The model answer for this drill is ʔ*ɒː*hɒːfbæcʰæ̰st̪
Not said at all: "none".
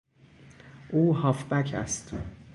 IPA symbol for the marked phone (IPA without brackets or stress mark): uː